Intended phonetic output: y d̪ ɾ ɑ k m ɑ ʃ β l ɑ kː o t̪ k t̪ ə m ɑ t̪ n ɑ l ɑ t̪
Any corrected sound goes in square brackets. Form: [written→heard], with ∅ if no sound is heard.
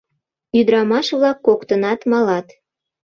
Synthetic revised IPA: y d̪ ɾ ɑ [k→∅] m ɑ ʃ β l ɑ kː o [t̪→∅] k t̪ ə [m→n] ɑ t̪ [n→m] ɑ l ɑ t̪